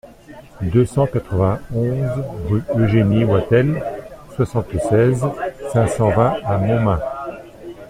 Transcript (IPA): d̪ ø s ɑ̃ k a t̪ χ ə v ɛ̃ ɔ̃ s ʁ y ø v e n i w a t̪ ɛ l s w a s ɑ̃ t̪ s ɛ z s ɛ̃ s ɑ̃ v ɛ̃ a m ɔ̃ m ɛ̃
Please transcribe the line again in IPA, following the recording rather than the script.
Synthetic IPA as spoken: d̪ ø s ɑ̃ k a t̪ χ ə v ɛ̃ ɔ̃ z ʁ y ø ʒ e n i w a t̪ ɛ l s w a s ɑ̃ t̪ s ɛ z s ɛ̃ s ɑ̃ v ɛ̃ a m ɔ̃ m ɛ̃